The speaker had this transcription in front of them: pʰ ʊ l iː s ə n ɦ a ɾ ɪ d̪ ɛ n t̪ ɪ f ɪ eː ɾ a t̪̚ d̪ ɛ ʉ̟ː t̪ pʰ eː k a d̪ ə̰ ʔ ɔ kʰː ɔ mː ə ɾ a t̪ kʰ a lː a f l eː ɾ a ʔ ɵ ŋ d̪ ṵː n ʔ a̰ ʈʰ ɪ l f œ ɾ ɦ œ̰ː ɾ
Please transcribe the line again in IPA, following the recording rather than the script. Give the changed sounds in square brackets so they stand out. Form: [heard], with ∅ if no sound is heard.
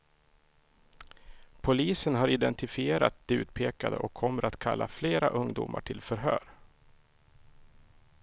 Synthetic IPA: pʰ ʊ l iː s ə n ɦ a ɾ ɪ d̪ ɛ n t̪ ɪ f ɪ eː ɾ a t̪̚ d̪ ɛ ʉ̟ː t̪ pʰ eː k a d̪ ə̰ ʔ ɔ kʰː ɔ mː ə ɾ a t̪ kʰ a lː a f l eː ɾ a ʔ ɵ ŋ d̪ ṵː [m] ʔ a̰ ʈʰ ɪ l f œ ɾ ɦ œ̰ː ɾ